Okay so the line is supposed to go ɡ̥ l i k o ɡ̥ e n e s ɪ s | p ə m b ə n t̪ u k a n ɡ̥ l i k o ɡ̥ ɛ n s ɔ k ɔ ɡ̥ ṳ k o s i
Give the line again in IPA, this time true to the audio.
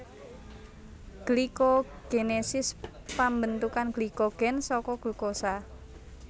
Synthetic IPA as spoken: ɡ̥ l i k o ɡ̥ e n e s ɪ s | p a m b ə n t̪ u k a n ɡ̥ l i k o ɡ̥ ɛ n s ɔ k ɔ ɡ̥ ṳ k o s a

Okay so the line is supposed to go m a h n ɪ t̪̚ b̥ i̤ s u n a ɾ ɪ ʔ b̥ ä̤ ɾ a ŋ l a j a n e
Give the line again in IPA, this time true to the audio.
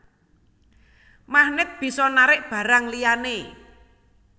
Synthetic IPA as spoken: m a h n ɪ t̪̚ b̥ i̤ s ɔ n a ɾ ɪ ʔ b̥ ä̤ ɾ a ŋ l i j a n e

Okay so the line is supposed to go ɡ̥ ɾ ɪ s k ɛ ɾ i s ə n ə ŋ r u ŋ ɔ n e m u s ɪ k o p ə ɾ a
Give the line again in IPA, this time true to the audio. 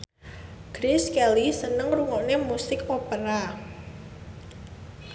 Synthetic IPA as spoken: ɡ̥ ɾ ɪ s k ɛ l i s ə n ə ŋ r u ŋ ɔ n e m u s ɪ k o p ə ɾ a

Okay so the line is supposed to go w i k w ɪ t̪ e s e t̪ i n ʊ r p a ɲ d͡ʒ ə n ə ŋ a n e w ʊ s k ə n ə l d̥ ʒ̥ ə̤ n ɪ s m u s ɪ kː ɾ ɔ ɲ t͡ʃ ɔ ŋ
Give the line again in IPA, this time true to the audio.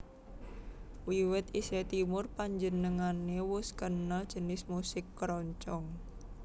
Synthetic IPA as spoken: w i w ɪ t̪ i s e t̪ i m ʊ r p a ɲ d͡ʒ ə n ə ŋ a n e w ʊ s k ə n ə l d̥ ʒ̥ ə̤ n ɪ s m u s ɪ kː ɾ ɔ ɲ t͡ʃ ɔ ŋ

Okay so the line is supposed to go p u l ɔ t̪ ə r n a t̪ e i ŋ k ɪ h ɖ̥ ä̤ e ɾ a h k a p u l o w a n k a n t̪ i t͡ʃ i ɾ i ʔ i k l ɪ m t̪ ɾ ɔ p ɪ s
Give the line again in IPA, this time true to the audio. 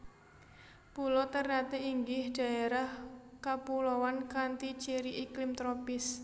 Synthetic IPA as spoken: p u l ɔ t̪ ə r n a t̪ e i ŋ ɡ ɪ h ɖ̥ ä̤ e ɾ a h k a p u l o w a n k a n t̪ i t͡ʃ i ɾ i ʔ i k l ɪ m t̪ ɾ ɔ p ɪ s

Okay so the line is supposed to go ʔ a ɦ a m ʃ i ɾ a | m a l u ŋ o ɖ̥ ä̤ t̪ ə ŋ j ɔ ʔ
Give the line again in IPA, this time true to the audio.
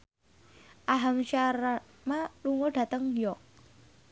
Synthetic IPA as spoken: ʔ a ɦ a m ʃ a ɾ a | m a l u ŋ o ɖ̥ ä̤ t̪ ə ŋ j ɔ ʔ

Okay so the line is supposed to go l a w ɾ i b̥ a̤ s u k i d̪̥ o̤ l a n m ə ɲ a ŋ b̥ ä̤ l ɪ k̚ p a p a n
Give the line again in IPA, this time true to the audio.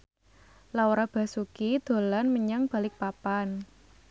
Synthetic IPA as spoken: l a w ɾ a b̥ a̤ s u k i d̪̥ o̤ l a n m ə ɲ a ŋ b̥ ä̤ l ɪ k̚ p a p a n

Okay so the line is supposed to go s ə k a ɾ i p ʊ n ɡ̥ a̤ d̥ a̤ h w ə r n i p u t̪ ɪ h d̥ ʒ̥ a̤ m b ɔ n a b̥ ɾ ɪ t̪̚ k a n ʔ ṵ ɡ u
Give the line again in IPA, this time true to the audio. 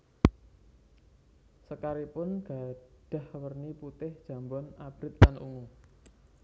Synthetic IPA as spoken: s ə k a ɾ i p ʊ n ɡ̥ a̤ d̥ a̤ h w ə r n i p u t̪ ɪ h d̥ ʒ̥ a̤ m b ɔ n a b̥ ɾ ɪ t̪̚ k a n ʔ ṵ ŋ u

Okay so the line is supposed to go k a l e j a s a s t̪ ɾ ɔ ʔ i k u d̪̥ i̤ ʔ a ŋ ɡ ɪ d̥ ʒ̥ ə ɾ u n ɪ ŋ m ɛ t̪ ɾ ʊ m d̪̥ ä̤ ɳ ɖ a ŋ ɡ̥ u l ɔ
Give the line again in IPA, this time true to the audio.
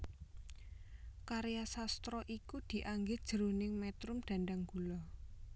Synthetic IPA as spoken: k a ɾ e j a s a s t̪ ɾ ɔ ʔ i k u d̪̥ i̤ ʔ a ŋ ɡ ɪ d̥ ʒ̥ ə ɾ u n ɪ ŋ m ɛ t̪ ɾ ʊ m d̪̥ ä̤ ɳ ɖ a ŋ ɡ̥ u l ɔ

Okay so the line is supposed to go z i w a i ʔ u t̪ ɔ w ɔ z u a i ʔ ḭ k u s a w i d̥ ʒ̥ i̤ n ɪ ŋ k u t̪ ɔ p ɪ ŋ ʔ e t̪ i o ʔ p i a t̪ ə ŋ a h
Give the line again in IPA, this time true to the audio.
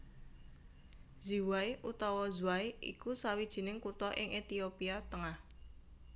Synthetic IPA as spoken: z i w a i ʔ u t̪ ɔ w ɔ z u a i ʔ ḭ k u s a w i d̥ ʒ̥ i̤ n ɪ ŋ k u t̪ ɔ ʔ ɪ ŋ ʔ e t̪ i o p i a t̪ ə ŋ a h

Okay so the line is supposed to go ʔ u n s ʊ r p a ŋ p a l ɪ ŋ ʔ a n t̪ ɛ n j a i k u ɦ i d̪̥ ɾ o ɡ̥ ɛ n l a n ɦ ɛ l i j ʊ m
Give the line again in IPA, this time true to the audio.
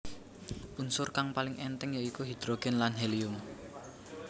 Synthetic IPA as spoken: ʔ u n s ʊ r k a ŋ p a l ɪ ŋ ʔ ɛ n t̪ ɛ ŋ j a i k u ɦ i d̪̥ ɾ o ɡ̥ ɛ n l a n ɦ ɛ l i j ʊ m

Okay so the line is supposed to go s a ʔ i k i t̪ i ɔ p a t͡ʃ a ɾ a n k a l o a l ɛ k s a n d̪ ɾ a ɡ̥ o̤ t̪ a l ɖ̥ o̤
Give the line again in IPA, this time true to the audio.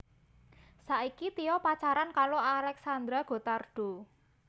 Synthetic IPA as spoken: s a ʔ i k i t̪ i ɔ p a t͡ʃ a ɾ a n k a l o a l ɛ k s a n d̪ ɾ a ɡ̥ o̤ t̪ a r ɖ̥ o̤

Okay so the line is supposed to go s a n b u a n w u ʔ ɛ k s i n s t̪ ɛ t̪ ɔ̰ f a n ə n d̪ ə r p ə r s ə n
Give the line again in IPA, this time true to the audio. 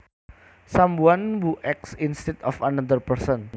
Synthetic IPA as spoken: s a m b u a n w u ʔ ɛ k s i n s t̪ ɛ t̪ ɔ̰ f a n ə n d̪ ə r p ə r s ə n

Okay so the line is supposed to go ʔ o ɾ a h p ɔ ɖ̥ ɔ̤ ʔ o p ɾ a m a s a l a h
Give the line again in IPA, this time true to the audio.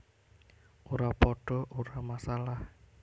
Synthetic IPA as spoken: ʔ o ɾ a p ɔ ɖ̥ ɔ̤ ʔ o ɾ a m a s a l a h

